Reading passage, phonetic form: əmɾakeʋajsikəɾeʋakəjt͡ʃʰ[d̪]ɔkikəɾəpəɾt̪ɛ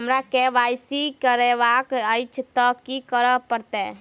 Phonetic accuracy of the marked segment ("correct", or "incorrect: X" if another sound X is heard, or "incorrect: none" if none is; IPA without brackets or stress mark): incorrect: t̪